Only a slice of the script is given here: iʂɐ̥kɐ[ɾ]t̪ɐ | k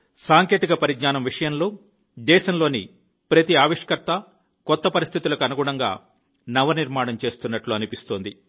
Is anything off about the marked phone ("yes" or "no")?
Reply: no